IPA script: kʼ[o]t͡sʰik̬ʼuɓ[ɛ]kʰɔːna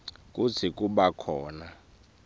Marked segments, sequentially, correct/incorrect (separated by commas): incorrect, incorrect